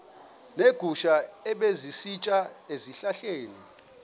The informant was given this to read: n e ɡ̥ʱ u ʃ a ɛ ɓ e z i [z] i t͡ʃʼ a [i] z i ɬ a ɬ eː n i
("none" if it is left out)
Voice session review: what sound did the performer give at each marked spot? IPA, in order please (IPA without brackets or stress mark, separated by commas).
s, e